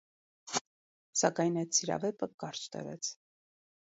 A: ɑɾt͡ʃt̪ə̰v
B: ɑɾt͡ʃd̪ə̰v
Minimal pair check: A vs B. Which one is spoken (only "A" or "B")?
A